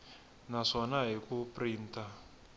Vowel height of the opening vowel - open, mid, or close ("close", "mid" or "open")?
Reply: open